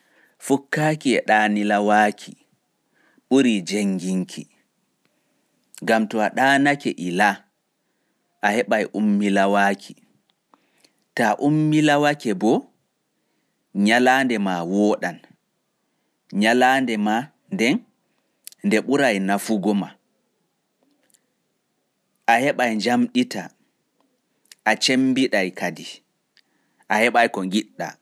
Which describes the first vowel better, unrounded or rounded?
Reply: rounded